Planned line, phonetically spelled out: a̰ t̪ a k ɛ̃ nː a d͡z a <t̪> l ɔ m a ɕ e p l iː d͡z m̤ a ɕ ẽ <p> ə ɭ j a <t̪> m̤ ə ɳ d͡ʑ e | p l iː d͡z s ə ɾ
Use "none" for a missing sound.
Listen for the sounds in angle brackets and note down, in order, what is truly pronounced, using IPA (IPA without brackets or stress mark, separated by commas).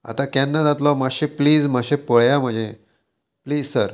t̪, p, none